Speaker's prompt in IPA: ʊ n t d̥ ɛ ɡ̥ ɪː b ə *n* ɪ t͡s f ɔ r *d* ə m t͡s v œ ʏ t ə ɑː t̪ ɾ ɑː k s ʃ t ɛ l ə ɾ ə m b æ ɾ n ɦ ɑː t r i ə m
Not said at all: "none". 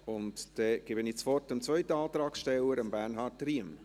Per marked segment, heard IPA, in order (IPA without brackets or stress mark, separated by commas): n, t